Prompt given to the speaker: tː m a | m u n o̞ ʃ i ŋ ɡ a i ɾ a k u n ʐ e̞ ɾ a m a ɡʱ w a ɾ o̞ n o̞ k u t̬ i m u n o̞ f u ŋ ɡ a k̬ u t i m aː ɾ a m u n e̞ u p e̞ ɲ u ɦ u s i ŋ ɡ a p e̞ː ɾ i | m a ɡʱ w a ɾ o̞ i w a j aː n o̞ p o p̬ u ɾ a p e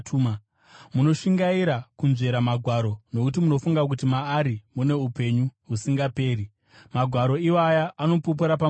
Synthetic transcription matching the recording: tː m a | m u n o̞ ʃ i ŋ ɡ a i ɾ a k u n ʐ e̞ ɾ a m a ɡʱ w a ɾ o̞ n o̞ k u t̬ i m u n o̞ f u ŋ ɡ a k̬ u t i m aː ɾ i m u n e̞ u p e̞ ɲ u ɦ u s i ŋ ɡ a p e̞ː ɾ i | m a ɡʱ w a ɾ o̞ i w a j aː n o̞ p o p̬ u ɾ a p a